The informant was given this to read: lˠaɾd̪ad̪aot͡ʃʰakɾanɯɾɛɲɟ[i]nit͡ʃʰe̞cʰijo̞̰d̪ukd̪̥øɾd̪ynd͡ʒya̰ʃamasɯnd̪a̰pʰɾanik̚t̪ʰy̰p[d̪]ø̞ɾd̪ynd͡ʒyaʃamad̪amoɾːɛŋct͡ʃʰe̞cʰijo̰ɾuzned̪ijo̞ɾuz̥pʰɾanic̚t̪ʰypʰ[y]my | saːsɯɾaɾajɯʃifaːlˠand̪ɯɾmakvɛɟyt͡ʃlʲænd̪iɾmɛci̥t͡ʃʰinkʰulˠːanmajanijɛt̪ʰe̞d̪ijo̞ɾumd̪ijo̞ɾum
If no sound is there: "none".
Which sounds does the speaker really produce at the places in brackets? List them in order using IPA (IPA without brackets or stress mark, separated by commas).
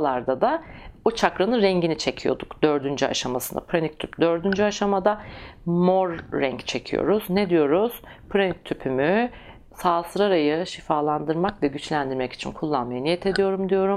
i, d̪, y